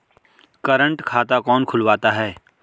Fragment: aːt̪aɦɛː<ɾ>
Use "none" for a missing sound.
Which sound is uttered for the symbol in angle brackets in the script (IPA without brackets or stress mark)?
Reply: none